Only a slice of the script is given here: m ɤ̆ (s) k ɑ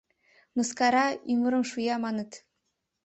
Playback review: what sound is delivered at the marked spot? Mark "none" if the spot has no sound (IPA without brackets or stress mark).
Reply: s